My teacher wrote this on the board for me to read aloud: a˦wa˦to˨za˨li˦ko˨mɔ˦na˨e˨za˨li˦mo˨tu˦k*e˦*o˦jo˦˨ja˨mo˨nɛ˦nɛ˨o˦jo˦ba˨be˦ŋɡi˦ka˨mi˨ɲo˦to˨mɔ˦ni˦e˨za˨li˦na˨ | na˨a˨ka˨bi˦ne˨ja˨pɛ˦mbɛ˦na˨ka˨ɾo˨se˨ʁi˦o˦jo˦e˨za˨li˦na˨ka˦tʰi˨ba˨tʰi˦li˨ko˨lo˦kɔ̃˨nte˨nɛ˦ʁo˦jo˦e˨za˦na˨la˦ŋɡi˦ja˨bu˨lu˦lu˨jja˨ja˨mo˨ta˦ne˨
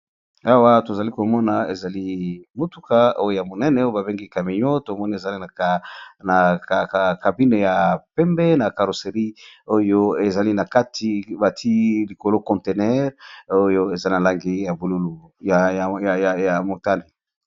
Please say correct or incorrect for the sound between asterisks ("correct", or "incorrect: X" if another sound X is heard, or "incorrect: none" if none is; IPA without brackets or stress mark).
incorrect: a˦